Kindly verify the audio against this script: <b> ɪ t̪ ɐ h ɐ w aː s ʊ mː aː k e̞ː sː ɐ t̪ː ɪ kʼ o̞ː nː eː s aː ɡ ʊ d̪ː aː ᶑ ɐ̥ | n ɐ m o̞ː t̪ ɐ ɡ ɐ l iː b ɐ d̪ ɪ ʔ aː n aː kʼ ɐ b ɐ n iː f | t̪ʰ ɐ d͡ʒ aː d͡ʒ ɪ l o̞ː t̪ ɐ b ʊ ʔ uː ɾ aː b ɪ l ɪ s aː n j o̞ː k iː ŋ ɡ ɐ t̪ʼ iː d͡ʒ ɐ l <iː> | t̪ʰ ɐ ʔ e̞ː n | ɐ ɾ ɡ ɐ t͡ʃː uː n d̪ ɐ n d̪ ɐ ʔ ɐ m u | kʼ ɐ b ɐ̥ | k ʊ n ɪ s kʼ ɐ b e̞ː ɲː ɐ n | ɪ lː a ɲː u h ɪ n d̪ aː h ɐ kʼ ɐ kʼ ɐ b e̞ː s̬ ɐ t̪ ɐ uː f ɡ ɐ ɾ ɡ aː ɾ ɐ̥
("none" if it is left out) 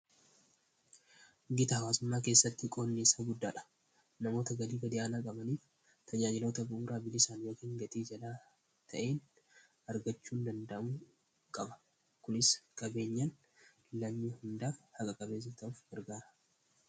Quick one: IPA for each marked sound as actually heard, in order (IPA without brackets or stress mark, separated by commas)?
ɡ, aː